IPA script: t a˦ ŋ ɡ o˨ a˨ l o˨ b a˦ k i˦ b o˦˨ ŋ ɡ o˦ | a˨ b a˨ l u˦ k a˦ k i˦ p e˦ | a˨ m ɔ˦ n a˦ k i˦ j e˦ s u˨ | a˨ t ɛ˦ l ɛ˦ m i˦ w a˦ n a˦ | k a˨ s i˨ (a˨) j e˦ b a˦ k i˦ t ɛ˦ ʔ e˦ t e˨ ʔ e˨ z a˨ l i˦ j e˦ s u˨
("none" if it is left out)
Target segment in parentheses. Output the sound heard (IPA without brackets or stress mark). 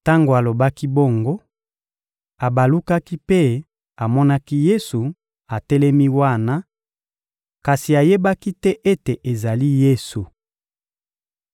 a˨